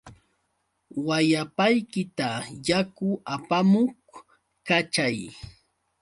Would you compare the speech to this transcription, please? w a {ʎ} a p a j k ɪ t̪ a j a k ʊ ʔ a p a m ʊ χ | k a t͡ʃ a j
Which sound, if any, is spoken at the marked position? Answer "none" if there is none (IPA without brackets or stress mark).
j